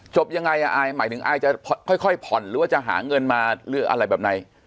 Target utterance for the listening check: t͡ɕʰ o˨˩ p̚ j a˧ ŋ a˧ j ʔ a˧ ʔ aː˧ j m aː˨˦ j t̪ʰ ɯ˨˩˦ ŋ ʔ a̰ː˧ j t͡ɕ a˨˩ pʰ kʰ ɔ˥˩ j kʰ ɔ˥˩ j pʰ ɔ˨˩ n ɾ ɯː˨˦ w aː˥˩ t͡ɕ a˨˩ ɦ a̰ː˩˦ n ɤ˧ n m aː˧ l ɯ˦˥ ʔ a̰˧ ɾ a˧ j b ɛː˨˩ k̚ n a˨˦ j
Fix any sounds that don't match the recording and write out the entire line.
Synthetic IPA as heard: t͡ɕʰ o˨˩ p̚ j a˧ ŋ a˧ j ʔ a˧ ʔ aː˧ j m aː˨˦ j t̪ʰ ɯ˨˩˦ ŋ ʔ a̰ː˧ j t͡ɕ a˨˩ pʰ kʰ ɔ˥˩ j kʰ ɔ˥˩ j pʰ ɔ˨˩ n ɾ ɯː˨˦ w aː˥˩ t͡ɕ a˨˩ ɦ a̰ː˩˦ ŋ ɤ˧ n m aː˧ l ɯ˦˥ ʔ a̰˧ ɾ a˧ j b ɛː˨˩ p̚ n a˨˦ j